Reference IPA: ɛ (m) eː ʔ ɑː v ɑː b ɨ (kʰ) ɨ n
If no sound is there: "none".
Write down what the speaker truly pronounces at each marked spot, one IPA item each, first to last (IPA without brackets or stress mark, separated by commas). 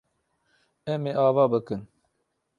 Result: m, k